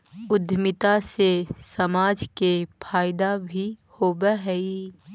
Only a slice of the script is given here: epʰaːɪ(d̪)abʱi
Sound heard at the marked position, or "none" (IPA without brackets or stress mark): d̪